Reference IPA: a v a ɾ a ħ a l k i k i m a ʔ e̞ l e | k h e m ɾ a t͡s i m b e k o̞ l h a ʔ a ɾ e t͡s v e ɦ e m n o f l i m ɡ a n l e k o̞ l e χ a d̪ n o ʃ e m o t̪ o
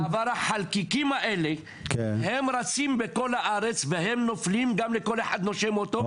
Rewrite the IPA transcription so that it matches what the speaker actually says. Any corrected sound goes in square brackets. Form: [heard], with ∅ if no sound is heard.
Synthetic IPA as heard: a v a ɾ a ħ a l k i k i m a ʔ e̞ l e | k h e m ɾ a t͡s i m b e k o̞ l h a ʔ a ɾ e t͡s v e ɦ e m n o f l i m ɡ a [m] l e k o̞ l e [ħ] a d̪ n o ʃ e m o t̪ o